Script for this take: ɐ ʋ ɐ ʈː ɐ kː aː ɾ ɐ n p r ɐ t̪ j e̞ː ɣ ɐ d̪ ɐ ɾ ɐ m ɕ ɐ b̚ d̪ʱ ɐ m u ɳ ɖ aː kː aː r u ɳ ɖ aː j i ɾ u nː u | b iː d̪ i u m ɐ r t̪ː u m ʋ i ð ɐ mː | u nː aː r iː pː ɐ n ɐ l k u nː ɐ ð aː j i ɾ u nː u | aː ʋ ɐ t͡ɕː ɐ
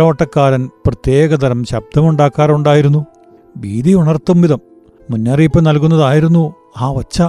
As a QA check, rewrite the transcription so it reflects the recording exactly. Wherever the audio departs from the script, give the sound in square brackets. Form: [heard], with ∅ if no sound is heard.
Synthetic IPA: ɐ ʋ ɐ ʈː ɐ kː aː ɾ ɐ n p r ɐ t̪ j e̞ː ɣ ɐ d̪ ɐ ɾ ɐ m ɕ ɐ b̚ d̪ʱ ɐ m u ɳ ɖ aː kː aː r u ɳ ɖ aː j i ɾ u nː u | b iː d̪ i u [ɳ] ɐ r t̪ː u m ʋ i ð ɐ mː | u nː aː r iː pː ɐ n ɐ l k u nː ɐ ð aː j i ɾ u nː u | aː ʋ ɐ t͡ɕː ɐ